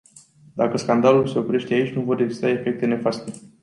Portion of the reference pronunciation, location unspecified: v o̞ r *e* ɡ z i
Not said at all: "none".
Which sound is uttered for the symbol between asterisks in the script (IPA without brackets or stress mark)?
e